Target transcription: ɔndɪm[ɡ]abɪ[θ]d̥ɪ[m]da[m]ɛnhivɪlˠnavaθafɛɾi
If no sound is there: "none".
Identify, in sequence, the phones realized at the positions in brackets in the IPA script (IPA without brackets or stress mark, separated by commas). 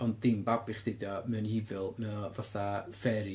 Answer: b, χ, none, m